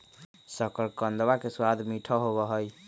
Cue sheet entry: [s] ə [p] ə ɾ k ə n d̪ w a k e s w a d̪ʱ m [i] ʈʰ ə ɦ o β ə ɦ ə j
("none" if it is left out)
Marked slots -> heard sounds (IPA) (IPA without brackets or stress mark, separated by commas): s, k, i